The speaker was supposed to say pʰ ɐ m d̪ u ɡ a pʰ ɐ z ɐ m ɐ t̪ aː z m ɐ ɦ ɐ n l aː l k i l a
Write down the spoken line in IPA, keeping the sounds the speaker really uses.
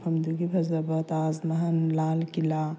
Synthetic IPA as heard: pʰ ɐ m d̪ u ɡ i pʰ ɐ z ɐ b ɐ t̪ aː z m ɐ ɦ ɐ n l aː l k i l a